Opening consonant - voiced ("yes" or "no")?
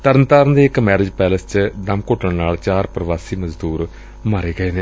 no